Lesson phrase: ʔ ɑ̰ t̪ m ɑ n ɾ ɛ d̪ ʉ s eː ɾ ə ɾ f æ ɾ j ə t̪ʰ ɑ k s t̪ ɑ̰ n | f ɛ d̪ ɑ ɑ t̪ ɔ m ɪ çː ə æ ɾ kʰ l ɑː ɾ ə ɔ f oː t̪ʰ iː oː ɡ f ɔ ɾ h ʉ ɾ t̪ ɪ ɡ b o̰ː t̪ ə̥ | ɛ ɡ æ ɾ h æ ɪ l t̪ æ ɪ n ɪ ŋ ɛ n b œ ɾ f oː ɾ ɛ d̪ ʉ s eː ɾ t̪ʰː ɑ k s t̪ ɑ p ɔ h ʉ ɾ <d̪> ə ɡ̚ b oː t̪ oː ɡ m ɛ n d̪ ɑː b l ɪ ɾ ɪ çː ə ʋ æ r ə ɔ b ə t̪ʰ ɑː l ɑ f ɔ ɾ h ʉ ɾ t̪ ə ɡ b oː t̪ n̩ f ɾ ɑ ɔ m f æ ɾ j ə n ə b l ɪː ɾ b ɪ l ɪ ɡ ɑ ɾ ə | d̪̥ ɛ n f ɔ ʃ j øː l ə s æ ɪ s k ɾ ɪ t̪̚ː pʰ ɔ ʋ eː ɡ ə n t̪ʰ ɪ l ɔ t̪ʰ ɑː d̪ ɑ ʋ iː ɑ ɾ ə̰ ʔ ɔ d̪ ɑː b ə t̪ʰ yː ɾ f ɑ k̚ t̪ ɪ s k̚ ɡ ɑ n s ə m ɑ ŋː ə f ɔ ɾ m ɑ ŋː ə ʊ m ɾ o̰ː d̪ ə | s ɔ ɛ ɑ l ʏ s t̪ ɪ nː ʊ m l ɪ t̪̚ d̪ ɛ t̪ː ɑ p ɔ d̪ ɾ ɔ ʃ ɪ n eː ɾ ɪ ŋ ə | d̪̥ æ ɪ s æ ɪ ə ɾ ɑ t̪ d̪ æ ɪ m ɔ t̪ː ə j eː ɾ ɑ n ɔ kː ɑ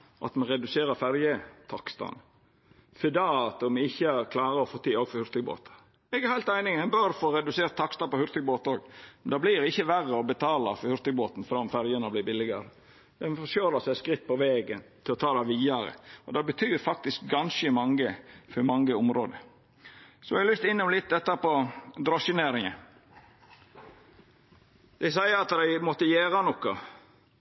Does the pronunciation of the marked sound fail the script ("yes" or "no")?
yes